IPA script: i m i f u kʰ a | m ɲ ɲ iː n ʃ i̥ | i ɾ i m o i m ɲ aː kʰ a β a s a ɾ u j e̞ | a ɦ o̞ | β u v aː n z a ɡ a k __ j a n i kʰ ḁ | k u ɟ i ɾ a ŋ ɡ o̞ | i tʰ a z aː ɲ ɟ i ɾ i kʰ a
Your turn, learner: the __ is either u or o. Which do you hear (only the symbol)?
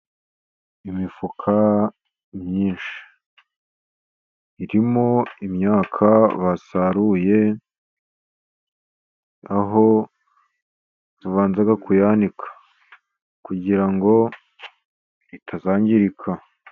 u